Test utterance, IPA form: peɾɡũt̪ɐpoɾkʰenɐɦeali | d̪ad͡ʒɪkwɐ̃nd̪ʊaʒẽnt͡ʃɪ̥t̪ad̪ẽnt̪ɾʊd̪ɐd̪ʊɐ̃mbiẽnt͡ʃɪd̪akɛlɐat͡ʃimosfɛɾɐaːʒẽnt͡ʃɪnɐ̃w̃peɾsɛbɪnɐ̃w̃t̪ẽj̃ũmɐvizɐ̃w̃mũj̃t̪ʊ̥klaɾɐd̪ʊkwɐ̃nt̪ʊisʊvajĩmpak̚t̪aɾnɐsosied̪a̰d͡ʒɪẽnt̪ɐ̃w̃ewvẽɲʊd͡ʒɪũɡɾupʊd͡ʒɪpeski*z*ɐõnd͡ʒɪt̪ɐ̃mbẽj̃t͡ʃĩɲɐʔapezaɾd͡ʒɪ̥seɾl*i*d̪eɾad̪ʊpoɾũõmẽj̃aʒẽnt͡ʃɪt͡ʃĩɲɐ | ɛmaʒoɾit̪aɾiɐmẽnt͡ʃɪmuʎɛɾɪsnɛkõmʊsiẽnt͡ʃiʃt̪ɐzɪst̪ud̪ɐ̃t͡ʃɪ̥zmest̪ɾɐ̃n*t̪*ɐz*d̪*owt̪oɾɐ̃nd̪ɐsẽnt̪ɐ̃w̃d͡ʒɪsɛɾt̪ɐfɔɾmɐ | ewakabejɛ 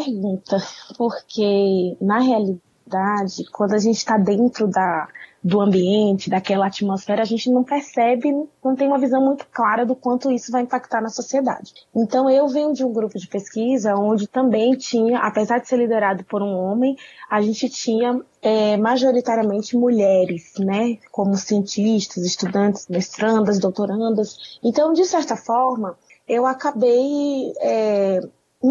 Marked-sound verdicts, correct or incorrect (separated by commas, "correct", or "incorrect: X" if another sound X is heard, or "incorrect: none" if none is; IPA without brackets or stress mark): correct, correct, incorrect: d̪, correct